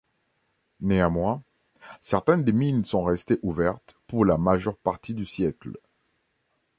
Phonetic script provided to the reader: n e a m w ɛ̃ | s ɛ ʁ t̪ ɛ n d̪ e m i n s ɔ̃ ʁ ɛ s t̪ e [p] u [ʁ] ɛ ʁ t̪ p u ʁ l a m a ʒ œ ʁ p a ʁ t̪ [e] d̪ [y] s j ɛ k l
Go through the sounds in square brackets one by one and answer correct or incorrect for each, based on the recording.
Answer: incorrect, incorrect, incorrect, correct

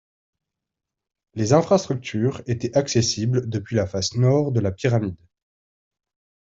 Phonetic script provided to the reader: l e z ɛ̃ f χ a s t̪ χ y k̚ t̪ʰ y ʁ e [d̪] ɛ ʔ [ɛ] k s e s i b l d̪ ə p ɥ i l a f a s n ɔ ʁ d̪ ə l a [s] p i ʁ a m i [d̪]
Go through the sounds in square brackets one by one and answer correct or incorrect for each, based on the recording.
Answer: incorrect, incorrect, incorrect, correct

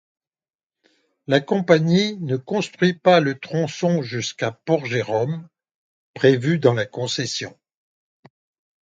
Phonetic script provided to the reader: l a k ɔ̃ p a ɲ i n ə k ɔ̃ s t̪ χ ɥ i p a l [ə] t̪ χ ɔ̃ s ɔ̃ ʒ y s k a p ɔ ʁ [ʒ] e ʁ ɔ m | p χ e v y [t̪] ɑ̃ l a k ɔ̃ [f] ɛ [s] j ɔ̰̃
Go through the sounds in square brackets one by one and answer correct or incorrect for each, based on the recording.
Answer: correct, correct, incorrect, incorrect, correct

